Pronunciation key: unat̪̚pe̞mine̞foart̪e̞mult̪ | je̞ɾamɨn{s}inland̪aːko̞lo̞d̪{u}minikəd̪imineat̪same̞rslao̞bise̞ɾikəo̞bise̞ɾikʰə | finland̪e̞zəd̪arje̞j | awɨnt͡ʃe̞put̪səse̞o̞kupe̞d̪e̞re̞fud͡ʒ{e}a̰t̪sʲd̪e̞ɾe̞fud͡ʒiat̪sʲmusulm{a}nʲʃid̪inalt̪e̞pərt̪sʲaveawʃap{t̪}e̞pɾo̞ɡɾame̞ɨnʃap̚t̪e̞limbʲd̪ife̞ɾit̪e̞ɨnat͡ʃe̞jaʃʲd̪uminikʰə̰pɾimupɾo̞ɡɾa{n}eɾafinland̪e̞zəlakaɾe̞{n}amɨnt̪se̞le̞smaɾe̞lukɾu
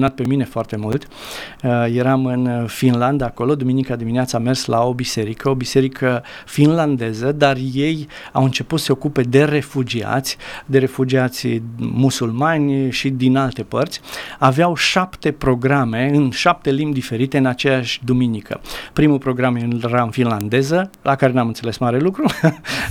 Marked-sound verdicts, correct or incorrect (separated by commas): incorrect, correct, incorrect, correct, correct, incorrect, correct